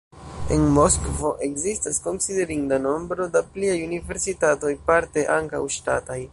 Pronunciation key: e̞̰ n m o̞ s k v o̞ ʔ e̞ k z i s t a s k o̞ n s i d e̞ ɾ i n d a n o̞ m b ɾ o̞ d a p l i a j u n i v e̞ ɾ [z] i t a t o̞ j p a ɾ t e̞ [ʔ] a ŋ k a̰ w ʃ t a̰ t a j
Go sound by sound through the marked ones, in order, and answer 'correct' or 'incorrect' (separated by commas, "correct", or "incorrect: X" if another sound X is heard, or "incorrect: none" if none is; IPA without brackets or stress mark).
incorrect: s, correct